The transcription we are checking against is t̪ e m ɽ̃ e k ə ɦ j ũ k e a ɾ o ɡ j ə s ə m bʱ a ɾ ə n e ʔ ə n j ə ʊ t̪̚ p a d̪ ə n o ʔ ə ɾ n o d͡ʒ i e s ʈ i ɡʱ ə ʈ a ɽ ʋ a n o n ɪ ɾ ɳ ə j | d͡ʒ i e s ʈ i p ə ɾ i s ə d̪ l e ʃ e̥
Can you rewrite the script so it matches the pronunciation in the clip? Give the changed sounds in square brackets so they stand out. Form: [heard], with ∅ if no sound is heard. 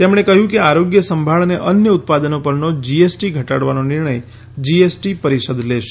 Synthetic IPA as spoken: t̪ e m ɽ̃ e k ə ɦ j ũ k e a ɾ o ɡ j ə s ə m bʱ a [ɭ] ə n e ʔ ə n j ə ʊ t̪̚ p a d̪ ə n o [p] ə ɾ n o d͡ʒ i e s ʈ i ɡʱ ə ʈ a ɽ ʋ a n o n ɪ ɾ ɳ ə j | d͡ʒ i e s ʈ i p ə ɾ i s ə d̪ l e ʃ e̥